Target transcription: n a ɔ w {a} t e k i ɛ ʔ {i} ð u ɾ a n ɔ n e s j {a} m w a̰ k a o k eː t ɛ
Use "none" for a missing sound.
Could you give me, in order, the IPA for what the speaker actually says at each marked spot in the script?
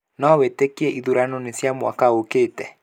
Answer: e, i, a

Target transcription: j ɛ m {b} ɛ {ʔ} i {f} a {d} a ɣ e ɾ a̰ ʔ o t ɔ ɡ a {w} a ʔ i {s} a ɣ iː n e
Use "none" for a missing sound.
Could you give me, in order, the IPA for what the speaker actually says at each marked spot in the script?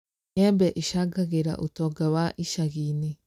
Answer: b, ʔ, ʃ, ɡ, w, ʃ

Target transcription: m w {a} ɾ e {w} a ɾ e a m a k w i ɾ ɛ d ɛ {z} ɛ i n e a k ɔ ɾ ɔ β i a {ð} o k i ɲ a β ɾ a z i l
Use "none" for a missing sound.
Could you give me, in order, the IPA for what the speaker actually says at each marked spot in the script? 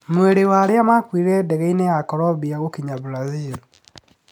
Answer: e, w, ɣ, ɣ

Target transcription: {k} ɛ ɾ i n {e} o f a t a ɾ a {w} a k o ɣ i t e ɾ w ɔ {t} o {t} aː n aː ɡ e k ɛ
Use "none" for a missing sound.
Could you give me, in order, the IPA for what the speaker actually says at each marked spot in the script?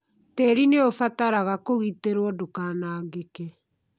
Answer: t, e, ɣ, d, k

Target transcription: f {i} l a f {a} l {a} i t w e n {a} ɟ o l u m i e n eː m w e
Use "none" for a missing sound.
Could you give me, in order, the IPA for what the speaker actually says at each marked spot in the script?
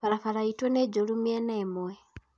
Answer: a, a, a, e

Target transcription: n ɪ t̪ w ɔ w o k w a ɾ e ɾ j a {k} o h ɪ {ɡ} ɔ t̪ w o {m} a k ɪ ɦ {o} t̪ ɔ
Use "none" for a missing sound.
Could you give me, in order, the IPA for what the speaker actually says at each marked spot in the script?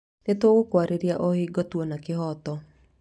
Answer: ʔ, ɡ, n, ɔ

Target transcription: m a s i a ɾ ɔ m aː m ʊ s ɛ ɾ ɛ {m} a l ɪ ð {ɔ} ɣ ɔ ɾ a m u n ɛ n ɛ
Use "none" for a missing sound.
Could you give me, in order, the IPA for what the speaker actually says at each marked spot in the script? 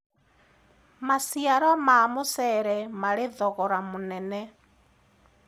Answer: m, ɔ

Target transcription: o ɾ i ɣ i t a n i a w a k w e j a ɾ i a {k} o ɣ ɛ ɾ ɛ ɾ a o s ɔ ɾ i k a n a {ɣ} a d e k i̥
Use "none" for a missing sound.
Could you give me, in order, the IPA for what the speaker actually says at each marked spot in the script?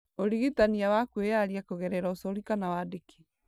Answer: k, w

